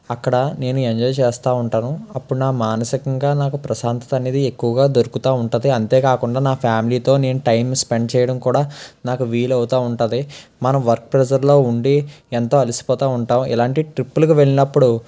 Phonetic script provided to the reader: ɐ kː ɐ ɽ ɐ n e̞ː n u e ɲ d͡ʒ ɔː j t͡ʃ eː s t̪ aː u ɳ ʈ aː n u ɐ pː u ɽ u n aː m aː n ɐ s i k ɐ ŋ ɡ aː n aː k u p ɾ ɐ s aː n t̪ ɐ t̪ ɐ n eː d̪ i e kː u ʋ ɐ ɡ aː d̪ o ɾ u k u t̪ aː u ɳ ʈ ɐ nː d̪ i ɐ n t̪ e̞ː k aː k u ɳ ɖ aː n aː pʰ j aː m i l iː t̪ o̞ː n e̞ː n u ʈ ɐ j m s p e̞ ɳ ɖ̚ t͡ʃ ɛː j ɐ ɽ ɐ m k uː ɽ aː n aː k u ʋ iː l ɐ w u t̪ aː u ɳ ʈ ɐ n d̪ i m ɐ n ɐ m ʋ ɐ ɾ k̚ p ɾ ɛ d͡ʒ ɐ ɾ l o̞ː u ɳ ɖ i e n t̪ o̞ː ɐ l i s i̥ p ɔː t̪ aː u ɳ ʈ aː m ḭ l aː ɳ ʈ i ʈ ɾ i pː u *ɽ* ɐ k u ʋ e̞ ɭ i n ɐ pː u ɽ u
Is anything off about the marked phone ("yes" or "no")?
yes